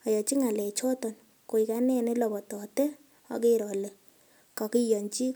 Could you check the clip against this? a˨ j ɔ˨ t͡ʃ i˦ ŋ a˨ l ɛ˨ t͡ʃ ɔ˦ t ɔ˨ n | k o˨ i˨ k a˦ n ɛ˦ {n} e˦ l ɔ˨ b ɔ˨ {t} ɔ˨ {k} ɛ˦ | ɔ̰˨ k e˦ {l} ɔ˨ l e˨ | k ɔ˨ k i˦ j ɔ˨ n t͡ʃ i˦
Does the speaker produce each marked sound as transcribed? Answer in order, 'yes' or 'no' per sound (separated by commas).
yes, yes, no, no